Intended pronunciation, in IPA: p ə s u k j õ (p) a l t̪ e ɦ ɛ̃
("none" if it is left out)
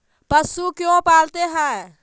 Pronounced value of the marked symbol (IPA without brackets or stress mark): p